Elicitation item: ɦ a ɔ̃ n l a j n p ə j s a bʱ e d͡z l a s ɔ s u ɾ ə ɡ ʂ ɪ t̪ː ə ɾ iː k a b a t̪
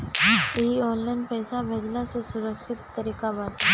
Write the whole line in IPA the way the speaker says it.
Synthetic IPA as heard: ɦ i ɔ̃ n l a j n p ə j s a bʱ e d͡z l a s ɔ s u ɾ ə k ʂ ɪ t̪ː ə ɾ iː k a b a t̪